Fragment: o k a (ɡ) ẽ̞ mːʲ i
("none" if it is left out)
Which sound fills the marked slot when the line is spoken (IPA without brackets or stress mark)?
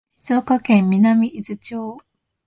k